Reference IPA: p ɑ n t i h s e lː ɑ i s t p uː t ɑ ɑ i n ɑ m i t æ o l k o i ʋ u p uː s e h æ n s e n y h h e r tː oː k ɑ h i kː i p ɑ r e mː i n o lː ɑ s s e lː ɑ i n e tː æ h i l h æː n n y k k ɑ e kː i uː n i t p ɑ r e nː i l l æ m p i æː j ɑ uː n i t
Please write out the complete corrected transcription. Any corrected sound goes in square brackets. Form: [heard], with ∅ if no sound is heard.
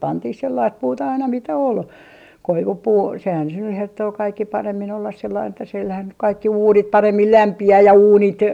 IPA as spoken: p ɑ n t i h s e lː ɑ i s t p uː t ɑ ɑ i n ɑ m i t æ o l k o i ʋ u p uː s e h æ n s e n y h h e r tː oː k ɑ [∅] i kː i p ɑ r e mː i n o lː ɑ s s e lː ɑ i n e tː æ [s] i l h [æ] n n y k k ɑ [i] kː i uː n i t p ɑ r e [mː] i l l æ m p i æː j ɑ uː n i t